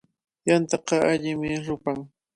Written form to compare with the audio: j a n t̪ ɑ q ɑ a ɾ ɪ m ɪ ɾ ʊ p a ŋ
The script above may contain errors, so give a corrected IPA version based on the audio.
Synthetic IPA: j a n t̪ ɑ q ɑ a ʎ ɪ m ɪ ɾ ʊ p a ŋ